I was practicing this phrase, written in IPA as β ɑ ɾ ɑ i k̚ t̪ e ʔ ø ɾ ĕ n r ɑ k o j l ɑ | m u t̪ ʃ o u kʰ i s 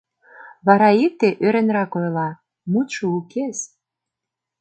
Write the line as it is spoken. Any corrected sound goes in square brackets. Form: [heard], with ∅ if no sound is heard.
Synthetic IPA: β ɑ ɾ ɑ i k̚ t̪ e ʔ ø ɾ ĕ n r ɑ k o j l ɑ | m u t̪ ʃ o u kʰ [e] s